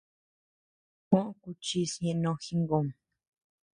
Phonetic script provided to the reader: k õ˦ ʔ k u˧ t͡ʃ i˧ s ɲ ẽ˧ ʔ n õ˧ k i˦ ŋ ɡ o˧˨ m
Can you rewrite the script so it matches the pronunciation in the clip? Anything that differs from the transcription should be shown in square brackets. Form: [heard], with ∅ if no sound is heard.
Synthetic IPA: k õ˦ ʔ k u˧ t͡ʃ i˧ s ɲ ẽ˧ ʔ n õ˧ [x] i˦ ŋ ɡ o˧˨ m